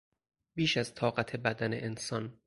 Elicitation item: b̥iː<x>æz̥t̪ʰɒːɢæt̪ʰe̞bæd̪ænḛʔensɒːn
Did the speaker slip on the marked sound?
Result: yes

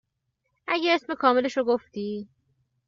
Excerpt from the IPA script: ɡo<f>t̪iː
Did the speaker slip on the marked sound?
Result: no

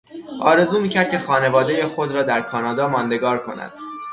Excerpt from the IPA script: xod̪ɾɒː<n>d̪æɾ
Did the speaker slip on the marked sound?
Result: yes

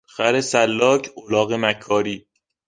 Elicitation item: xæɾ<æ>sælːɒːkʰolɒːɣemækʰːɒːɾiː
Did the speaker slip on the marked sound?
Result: yes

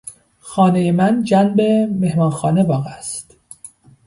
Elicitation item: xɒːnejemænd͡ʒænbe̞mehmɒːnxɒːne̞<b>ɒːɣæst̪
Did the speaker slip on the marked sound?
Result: no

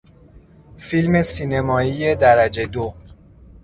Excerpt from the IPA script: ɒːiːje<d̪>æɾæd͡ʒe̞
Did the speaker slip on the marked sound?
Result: no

